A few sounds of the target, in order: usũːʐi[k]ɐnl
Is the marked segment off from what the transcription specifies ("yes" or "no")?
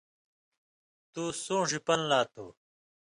yes